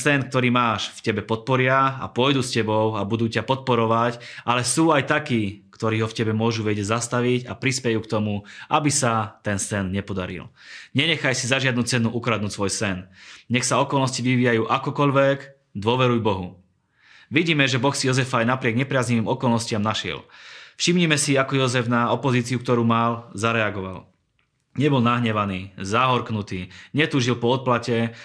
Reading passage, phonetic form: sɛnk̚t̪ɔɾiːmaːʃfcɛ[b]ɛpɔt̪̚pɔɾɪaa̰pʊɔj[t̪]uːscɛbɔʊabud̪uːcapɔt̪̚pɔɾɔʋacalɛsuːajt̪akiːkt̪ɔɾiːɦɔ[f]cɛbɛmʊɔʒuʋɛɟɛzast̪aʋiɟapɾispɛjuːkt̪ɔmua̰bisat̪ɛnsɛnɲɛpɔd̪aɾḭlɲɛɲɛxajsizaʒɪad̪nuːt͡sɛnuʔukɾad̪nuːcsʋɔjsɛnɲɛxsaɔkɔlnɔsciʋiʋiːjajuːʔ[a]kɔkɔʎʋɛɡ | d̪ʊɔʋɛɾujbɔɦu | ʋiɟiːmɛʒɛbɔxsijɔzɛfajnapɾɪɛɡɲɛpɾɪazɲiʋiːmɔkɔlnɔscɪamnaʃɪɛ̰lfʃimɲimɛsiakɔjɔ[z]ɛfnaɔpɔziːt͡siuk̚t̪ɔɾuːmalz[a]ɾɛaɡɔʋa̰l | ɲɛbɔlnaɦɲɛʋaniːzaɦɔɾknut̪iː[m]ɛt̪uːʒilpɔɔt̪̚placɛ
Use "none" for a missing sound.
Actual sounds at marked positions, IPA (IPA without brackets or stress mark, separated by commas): b, d̪, f, a, z, a, ɲ